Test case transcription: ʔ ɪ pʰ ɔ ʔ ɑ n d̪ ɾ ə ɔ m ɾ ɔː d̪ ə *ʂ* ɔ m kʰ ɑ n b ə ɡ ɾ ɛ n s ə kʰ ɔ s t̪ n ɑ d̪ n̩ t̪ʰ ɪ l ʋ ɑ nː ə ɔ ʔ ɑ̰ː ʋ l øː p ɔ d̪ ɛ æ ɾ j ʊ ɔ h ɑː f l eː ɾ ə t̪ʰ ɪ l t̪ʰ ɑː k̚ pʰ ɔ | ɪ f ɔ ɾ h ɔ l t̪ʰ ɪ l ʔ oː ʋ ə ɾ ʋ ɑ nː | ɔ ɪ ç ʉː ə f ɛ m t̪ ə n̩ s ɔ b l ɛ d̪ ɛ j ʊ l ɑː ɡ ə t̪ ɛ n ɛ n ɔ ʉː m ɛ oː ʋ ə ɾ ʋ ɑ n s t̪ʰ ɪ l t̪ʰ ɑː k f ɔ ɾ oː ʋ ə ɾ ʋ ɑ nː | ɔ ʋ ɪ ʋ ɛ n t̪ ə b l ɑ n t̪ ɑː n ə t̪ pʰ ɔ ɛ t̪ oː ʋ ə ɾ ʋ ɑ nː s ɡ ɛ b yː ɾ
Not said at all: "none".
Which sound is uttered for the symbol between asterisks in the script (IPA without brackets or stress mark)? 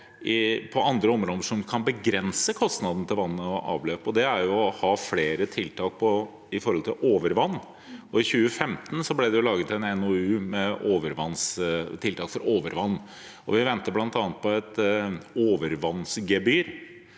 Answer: ʂ